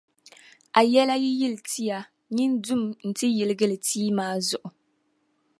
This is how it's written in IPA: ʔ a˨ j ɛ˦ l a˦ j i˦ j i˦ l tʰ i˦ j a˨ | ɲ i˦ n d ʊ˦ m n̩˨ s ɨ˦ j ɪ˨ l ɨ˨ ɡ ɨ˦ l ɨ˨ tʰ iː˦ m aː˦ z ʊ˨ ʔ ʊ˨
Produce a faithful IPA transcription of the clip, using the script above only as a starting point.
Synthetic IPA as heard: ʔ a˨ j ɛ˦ l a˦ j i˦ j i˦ l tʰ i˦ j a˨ | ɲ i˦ n d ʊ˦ m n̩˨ t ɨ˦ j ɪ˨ l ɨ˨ ɡ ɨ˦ l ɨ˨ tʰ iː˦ m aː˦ z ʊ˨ ʔ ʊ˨